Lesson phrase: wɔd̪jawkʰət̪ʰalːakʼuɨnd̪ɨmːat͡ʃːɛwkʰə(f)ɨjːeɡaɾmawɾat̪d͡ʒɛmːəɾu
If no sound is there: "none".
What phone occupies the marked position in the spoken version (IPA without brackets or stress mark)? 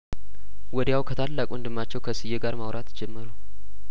s